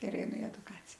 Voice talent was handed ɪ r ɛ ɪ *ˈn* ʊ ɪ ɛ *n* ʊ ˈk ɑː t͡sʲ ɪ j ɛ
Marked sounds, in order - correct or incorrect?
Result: correct, incorrect: d

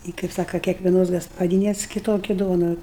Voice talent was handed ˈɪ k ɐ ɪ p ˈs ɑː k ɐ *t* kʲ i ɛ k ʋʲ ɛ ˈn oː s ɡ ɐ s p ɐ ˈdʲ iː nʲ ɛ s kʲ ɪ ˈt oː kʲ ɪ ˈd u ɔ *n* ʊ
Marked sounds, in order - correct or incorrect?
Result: incorrect: none, correct

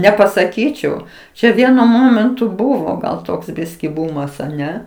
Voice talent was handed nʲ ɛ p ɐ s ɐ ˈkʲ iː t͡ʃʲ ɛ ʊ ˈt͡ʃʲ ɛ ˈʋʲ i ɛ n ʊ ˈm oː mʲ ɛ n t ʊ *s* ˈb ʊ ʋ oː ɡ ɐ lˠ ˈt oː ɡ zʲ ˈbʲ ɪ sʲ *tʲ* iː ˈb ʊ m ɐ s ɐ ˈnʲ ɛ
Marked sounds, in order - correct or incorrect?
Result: incorrect: none, incorrect: kʲ

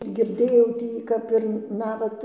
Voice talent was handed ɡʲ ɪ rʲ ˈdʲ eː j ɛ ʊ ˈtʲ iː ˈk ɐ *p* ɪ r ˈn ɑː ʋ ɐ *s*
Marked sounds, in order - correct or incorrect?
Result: correct, incorrect: t

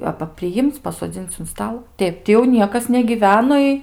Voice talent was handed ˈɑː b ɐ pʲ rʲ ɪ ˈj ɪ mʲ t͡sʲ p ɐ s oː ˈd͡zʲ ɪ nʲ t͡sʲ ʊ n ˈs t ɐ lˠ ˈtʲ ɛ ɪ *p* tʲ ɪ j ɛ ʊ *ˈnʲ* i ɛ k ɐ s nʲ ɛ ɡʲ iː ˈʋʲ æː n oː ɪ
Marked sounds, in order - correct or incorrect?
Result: correct, correct

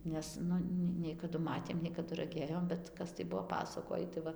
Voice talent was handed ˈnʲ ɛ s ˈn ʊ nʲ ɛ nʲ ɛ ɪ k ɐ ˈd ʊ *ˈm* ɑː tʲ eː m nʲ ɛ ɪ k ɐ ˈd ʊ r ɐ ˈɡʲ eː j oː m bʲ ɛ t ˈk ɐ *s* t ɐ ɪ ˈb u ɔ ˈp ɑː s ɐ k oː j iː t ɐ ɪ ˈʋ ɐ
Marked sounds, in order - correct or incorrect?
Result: correct, correct

